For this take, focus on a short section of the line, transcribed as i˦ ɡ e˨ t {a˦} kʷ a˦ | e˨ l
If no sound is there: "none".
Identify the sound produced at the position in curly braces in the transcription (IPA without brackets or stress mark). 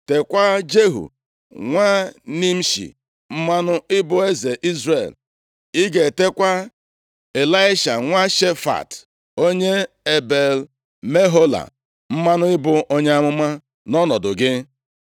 e˦